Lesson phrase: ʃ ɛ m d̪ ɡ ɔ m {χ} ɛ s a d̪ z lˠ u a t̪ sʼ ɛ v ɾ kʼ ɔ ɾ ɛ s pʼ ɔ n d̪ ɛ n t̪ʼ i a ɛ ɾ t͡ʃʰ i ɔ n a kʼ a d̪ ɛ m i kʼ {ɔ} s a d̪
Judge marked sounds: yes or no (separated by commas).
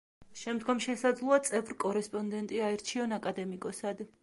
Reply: no, yes